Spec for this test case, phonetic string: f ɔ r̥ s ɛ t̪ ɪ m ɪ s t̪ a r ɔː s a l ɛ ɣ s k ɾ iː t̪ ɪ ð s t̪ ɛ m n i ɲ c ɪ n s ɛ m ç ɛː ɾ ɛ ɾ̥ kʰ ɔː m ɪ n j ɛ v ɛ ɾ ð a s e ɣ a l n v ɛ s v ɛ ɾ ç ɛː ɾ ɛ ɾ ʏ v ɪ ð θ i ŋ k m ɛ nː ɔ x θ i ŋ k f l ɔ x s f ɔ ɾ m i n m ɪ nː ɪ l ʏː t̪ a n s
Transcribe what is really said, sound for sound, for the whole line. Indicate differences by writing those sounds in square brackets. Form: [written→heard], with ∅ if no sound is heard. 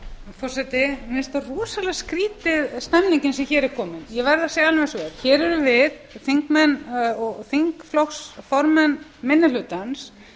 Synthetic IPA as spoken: f ɔ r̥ s ɛ t̪ ɪ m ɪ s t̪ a r ɔː s a l ɛ ɣ s k ɾ iː t̪ ɪ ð s t̪ ɛ m n i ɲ c ɪ n s ɛ m ç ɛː ɾ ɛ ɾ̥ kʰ ɔː m ɪ n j ɛ v ɛ ɾ ð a s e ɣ a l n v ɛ s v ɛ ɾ ç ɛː ɾ ɛ ɾ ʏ v ɪ ð θ i ŋ k m ɛ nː ɔ [x→ɣ] θ i ŋ k f l ɔ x s f ɔ ɾ m [i→ɛ] n m ɪ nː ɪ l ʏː t̪ a n s